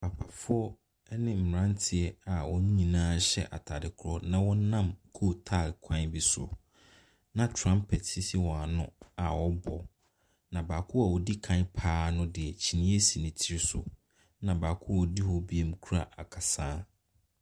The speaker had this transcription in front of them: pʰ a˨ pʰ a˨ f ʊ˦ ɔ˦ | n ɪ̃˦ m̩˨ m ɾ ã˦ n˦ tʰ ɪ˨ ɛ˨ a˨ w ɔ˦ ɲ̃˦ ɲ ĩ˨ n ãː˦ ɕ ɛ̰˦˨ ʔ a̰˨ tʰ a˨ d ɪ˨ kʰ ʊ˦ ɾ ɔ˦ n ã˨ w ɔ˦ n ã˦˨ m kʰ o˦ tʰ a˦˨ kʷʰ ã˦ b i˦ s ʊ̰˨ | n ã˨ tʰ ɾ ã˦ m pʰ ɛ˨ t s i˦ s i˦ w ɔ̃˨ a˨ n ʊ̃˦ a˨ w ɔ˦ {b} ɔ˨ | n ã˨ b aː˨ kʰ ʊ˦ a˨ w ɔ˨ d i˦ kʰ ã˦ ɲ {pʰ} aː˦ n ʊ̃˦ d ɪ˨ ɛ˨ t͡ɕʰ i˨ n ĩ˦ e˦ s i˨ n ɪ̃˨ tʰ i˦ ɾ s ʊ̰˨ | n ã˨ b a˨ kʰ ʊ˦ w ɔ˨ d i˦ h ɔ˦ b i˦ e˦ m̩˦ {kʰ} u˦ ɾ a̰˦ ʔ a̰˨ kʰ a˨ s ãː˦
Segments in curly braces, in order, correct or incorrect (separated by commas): correct, correct, correct